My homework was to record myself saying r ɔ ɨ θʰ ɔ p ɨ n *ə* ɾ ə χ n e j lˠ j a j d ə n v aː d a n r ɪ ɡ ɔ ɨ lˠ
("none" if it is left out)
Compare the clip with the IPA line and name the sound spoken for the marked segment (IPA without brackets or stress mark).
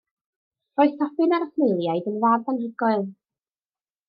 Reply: a